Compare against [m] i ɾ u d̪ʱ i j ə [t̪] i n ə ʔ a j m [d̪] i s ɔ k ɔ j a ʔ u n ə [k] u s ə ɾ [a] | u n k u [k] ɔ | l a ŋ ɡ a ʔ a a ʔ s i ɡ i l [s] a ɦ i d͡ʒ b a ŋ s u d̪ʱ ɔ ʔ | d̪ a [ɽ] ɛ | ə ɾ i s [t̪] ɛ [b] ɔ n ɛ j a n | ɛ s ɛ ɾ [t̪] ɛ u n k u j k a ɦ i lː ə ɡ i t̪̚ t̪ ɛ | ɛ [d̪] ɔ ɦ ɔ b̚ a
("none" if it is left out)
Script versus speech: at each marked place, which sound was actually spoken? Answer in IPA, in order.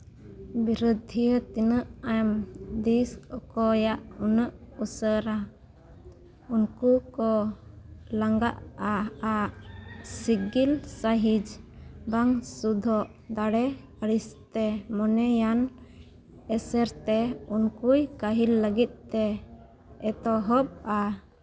b, t̪, d̪, ʔ, a, k, s, ɽ, t̪, m, t̪, t̪

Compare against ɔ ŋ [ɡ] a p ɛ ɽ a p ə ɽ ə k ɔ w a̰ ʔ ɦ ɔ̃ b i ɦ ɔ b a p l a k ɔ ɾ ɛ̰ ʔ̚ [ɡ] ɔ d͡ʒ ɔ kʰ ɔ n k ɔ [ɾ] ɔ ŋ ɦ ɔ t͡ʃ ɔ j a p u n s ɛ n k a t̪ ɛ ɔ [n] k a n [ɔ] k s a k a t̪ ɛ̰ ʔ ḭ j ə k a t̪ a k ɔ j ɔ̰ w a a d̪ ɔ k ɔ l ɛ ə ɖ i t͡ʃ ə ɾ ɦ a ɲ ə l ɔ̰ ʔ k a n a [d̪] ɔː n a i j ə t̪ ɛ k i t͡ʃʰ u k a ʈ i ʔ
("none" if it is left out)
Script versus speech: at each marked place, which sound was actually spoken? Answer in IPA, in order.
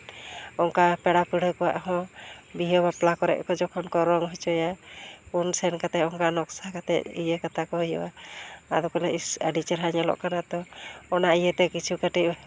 k, k, ɾ, ŋ, ɔ, t̪

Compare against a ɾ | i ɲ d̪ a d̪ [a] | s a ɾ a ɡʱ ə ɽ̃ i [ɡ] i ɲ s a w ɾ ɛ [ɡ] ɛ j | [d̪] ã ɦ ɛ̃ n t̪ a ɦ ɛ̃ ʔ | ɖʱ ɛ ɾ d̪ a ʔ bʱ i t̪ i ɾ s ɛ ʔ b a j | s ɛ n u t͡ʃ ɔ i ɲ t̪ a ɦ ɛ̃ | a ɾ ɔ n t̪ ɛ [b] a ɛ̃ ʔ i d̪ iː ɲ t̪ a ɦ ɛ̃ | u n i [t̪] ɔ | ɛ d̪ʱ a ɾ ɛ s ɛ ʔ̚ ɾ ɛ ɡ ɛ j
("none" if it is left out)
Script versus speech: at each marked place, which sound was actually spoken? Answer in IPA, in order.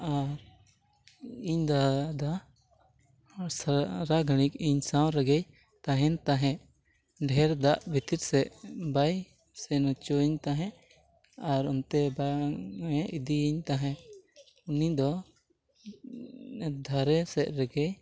a, k, ɡ, t̪, b, d̪

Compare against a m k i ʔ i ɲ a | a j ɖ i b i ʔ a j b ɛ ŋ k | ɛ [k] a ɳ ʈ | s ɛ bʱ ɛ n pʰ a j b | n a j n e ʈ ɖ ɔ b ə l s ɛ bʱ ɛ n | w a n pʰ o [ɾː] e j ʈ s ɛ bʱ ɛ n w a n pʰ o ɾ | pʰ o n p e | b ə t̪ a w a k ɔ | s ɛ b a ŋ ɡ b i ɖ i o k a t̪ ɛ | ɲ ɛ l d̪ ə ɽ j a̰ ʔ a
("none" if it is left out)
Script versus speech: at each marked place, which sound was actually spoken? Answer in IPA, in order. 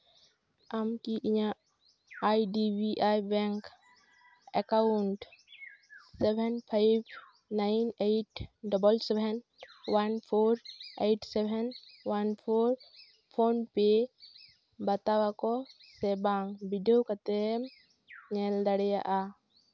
k, ɾ

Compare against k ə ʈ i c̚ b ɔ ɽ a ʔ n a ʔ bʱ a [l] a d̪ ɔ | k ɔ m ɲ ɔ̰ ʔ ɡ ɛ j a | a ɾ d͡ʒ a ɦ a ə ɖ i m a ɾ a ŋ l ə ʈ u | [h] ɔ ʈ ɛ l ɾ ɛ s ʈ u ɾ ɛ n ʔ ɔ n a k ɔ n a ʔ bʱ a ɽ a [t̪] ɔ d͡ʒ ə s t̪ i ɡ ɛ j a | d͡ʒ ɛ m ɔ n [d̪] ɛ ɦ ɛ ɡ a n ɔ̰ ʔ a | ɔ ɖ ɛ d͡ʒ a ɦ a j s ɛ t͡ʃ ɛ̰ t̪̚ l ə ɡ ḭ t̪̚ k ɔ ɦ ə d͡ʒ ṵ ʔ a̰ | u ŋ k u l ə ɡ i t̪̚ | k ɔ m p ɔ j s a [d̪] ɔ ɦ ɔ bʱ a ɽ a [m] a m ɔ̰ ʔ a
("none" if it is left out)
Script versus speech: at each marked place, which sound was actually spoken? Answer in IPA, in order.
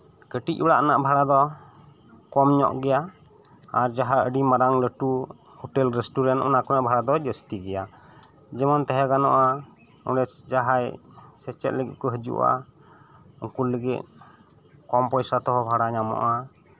ɽ, h, d̪, t̪, t̪, ɲ

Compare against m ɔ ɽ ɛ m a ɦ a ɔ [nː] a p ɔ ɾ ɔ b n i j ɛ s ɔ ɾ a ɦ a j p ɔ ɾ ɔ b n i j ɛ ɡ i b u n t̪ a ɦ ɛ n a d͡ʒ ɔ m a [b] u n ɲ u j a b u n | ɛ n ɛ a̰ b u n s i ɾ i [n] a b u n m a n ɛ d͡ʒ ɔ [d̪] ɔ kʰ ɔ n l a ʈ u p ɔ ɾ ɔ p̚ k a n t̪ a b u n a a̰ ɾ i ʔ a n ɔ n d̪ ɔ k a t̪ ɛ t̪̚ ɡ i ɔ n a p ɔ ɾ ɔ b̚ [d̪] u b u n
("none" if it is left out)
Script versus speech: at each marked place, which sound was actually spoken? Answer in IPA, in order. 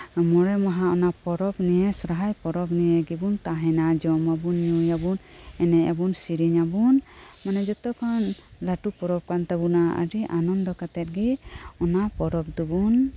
n, b, ɲ, t̪, d̪

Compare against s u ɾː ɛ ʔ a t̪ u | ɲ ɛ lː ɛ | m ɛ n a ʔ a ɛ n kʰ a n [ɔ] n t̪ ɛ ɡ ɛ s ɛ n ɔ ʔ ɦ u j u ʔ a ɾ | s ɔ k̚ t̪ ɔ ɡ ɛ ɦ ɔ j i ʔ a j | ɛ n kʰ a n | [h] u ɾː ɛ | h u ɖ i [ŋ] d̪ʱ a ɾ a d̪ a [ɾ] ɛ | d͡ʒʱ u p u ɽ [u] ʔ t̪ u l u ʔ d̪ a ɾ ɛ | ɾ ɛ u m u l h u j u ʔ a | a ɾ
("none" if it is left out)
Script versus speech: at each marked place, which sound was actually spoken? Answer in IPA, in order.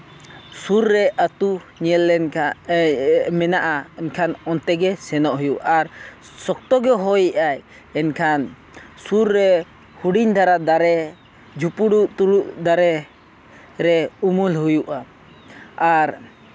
ɔ, s, ɲ, ɾ, u

